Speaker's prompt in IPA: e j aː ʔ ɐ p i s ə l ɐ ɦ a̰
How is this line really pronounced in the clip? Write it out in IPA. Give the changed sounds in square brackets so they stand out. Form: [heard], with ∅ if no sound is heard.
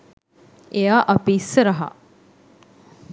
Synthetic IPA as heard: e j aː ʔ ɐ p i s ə [ɾ] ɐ ɦ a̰